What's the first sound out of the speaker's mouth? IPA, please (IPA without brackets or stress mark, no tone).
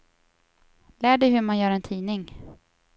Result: l